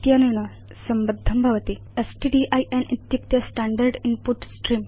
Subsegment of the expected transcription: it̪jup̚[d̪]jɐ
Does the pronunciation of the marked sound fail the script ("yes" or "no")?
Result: yes